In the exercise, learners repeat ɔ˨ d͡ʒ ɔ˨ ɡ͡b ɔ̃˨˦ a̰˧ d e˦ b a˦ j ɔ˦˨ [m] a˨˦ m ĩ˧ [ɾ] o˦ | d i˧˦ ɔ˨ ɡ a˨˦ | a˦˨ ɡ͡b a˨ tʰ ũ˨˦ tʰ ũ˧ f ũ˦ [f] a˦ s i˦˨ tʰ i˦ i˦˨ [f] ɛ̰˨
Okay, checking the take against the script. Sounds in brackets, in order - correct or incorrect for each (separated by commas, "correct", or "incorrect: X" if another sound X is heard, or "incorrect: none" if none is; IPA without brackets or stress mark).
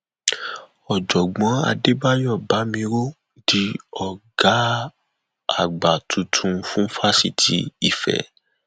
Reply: incorrect: b, correct, correct, correct